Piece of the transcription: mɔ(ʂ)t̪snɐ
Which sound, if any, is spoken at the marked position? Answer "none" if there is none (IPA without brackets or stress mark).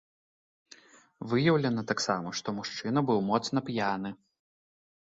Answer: none